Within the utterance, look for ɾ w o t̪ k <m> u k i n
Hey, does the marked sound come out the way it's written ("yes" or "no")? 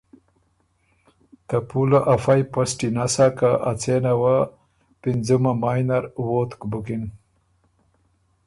no